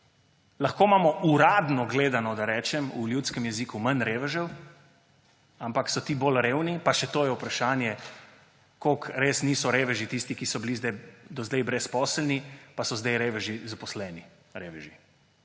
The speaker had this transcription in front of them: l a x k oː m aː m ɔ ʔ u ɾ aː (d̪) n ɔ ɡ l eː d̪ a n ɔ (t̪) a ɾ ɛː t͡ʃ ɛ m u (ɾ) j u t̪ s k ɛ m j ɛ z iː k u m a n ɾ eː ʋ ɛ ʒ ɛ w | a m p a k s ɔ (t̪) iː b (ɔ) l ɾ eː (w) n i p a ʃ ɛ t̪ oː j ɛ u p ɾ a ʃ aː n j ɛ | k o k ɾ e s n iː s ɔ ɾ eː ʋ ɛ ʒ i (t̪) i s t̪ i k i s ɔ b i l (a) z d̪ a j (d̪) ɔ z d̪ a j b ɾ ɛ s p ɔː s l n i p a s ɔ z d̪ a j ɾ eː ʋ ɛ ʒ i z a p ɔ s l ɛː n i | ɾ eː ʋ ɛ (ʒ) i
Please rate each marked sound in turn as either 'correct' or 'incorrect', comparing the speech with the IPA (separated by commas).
correct, incorrect, incorrect, correct, incorrect, correct, correct, incorrect, correct, correct